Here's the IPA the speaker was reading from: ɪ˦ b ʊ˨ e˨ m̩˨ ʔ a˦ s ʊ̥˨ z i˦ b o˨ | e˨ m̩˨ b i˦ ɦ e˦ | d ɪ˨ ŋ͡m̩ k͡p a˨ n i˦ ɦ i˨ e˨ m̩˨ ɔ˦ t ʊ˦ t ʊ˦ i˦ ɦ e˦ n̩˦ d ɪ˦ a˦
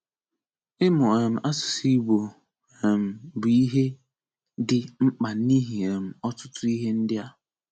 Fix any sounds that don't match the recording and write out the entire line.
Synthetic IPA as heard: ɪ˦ m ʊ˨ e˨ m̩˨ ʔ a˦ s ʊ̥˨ s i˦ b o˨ | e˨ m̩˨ b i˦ ɦ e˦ | d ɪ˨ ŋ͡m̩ k͡p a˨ n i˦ ɦ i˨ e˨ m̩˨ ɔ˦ t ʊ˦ t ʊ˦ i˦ ɦ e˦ n̩˦ d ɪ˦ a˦

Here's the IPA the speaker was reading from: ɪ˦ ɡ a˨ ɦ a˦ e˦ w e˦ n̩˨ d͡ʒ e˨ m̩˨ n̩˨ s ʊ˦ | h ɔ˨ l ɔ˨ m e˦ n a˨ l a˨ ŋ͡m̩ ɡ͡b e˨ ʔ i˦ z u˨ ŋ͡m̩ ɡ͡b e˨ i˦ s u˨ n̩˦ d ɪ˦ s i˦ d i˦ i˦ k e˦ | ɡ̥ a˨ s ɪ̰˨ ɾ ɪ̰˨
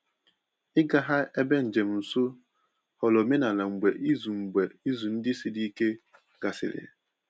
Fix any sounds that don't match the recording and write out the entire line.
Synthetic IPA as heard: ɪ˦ ɡ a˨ ɦ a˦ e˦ b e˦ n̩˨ d͡ʒ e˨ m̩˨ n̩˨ s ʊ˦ | h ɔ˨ l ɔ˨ m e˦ n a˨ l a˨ ŋ͡m̩ ɡ͡b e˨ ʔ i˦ z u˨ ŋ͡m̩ ɡ͡b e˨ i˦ z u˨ n̩˦ d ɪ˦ s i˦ d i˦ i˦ k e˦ | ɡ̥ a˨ s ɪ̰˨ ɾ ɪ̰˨

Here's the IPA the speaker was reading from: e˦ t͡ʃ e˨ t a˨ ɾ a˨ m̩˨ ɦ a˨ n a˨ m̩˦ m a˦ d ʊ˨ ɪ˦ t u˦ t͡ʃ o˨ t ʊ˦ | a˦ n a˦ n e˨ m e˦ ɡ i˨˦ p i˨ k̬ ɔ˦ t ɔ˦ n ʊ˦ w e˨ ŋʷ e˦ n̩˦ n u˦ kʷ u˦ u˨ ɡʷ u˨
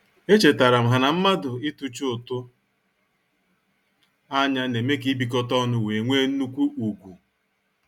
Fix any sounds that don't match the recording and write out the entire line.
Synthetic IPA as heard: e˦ t͡ʃ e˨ t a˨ ɾ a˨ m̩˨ ɦ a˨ n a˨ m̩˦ m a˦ d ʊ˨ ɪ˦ t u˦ t͡ʃ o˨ t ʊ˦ | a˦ ɲ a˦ n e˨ m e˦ k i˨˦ b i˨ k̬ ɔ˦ t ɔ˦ n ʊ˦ w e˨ ŋʷ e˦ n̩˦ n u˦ kʷ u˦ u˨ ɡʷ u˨

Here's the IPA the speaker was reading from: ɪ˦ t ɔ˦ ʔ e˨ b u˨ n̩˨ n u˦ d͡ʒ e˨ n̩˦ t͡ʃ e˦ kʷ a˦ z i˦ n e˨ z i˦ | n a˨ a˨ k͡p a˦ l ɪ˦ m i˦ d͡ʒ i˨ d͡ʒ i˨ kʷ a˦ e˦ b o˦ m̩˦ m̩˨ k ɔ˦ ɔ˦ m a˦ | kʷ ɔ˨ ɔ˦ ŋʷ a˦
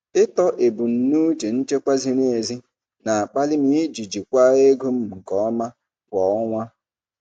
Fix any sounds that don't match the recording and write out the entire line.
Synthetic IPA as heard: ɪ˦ t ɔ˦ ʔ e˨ b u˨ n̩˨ n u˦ d͡ʒ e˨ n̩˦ t͡ʃ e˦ kʷ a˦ z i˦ n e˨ z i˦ | n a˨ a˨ k͡p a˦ l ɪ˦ m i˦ d͡ʒ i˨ d͡ʒ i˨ kʷ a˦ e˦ ɡ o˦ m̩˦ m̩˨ k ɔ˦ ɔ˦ m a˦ | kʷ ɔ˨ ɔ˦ ŋʷ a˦

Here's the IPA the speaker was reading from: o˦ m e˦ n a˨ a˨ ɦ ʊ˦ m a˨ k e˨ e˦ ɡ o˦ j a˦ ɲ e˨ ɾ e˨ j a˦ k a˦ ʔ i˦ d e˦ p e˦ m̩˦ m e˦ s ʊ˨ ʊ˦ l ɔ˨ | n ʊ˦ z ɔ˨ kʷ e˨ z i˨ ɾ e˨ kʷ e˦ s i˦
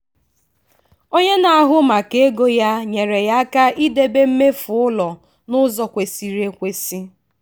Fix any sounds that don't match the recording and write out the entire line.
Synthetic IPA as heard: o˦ ɲ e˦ n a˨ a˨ ɦ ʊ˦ m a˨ k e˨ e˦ ɡ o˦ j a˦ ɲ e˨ ɾ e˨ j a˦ k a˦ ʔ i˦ d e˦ b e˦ m̩˦ m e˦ f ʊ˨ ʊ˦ l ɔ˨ | n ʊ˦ z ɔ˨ kʷ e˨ s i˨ ɾ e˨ kʷ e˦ s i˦

